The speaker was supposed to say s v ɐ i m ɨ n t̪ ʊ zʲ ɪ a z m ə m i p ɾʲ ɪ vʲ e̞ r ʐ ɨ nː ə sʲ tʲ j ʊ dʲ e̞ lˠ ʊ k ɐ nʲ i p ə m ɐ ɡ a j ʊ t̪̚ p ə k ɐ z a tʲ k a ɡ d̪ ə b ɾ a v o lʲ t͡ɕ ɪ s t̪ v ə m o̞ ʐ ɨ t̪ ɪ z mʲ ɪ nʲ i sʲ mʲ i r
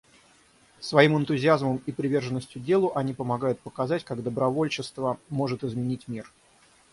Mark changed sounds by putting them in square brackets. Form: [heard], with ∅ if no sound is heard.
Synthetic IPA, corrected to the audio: s v ɐ i m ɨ n t̪ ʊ zʲ ɪ a z m ə m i p ɾʲ ɪ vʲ e̞ r ʐ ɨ nː ə sʲ tʲ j ʊ dʲ e̞ lˠ ʊ [ʔ] ɐ nʲ i p ə m ɐ ɡ a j ʊ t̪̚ p ə k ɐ z a tʲ k a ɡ d̪ ə b ɾ [ɐ] v o lʲ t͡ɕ ɪ s t̪ v ə m o̞ ʐ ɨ t̪ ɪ z mʲ ɪ nʲ i [tʲ] mʲ i r